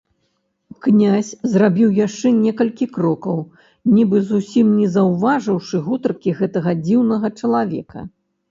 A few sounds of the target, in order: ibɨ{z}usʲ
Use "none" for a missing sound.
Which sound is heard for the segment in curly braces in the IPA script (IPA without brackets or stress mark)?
z